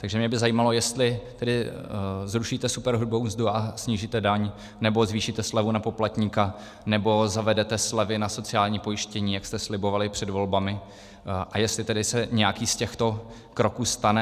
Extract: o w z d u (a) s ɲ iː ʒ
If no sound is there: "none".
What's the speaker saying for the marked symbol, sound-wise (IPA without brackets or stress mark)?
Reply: a